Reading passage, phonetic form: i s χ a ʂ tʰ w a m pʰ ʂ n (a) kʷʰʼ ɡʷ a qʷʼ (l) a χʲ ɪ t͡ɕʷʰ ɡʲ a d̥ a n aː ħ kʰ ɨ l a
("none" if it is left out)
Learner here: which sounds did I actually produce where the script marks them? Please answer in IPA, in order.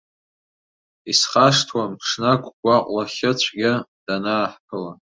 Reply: a, l

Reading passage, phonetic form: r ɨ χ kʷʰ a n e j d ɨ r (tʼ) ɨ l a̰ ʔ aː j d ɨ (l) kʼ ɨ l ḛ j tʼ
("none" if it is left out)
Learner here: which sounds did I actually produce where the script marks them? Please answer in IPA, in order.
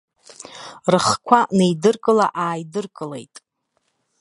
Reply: kʼ, r

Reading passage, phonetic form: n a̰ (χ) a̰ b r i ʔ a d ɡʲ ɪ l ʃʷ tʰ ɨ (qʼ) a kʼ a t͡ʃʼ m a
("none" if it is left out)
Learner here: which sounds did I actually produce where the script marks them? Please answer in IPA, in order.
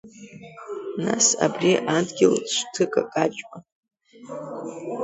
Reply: s, kʼ

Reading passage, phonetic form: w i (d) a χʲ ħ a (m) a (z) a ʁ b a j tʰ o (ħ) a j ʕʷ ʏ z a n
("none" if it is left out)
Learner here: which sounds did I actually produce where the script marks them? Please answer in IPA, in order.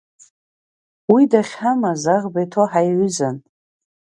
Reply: d, m, z, ħ

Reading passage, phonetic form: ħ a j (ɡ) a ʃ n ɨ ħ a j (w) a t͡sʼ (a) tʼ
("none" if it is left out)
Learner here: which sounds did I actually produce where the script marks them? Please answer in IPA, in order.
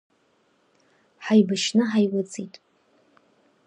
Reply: b, w, i

